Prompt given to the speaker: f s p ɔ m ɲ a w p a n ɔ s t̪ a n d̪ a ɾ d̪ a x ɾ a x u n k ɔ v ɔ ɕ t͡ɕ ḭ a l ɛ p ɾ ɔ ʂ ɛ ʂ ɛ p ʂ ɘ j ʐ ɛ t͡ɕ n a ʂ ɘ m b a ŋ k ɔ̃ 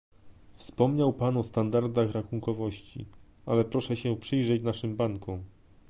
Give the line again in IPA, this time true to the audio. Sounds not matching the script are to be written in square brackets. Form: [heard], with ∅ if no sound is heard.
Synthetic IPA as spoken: f s p ɔ m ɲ a w p a n ɔ s t̪ a n d̪ a ɾ d̪ a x ɾ a x u [ŋ] k ɔ v ɔ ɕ t͡ɕ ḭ a l ɛ p ɾ ɔ ʂ ɛ [ɕ] ɛ p ʂ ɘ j ʐ ɛ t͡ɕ n a ʂ ɘ m b a ŋ k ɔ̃